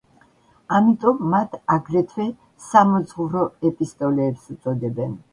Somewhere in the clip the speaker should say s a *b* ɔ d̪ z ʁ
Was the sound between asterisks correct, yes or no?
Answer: no